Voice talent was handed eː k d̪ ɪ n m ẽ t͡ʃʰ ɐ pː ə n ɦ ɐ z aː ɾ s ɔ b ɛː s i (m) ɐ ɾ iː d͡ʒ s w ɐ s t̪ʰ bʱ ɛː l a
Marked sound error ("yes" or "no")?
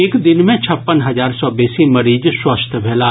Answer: no